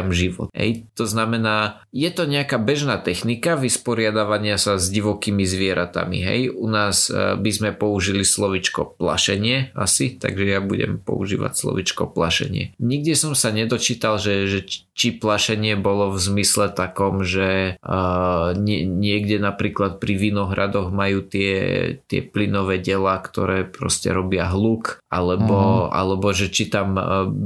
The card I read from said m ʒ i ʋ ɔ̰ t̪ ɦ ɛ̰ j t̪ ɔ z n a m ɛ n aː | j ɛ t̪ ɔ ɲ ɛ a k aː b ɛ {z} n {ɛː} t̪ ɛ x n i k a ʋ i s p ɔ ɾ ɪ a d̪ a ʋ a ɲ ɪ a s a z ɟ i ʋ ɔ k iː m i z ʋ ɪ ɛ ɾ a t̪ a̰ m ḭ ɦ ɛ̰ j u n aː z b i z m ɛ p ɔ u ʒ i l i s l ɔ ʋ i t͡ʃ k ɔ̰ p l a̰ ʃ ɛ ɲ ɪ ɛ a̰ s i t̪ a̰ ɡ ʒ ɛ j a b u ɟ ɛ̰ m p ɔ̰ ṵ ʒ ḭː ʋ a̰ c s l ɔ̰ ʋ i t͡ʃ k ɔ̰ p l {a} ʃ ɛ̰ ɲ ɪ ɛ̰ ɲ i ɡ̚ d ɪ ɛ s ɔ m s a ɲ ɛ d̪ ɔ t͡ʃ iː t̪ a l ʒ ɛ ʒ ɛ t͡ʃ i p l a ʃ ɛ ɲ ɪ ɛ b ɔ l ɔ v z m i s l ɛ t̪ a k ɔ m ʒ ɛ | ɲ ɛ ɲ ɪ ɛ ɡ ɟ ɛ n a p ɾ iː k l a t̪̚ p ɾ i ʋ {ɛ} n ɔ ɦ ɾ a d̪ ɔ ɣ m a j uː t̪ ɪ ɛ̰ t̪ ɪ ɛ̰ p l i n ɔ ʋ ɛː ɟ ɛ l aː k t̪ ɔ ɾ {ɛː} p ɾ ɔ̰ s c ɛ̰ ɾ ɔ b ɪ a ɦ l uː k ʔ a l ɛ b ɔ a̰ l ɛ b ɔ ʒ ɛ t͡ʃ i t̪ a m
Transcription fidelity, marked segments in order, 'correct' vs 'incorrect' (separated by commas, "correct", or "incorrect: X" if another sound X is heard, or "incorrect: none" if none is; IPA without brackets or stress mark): incorrect: ʒ, incorrect: aː, correct, incorrect: i, correct